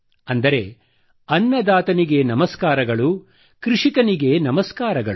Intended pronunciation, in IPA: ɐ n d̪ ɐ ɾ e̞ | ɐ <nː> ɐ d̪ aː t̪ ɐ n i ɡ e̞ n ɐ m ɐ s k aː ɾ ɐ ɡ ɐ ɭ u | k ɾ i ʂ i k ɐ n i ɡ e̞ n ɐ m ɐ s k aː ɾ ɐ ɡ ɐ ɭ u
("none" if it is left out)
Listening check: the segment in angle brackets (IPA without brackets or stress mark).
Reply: nː